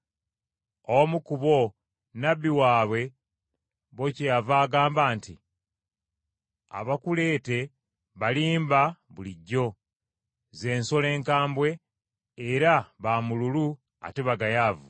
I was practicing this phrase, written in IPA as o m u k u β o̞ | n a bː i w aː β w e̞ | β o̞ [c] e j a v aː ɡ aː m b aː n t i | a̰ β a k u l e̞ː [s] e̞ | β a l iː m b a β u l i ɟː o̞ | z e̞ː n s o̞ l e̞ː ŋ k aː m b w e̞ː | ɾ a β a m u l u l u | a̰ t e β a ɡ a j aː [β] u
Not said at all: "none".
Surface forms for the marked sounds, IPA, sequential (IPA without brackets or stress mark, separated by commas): c, t, v